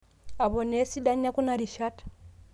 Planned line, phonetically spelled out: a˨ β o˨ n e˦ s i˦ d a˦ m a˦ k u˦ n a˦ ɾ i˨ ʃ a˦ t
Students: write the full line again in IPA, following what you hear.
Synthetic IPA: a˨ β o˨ n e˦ s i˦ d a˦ ɲ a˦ k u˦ n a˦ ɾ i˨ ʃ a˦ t